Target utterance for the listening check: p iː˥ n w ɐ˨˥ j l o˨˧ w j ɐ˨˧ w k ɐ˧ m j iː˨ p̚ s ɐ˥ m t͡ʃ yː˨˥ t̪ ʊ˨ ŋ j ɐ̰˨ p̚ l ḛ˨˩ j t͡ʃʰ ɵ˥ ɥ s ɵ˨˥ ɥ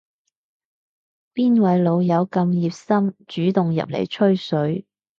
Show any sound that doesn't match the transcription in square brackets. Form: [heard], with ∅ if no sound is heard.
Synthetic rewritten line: p iː˥ n w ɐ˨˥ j l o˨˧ w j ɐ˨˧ w k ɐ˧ m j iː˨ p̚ s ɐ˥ m t͡ʃ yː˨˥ t̪ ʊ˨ ŋ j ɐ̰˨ p̚ l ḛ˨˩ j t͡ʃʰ ɵ˥ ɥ s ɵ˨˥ ɥ